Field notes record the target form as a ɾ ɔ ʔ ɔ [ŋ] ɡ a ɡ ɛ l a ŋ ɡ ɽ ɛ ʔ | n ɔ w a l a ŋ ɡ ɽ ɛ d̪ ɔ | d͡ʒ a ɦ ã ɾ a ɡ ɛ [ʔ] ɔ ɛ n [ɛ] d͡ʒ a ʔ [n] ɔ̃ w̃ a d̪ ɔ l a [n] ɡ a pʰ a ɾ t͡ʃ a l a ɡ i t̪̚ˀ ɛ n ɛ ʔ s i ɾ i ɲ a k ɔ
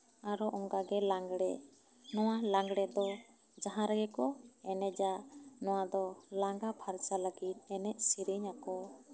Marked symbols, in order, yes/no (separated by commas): yes, no, yes, yes, no